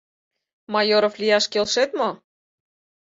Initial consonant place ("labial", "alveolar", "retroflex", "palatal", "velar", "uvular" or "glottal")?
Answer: labial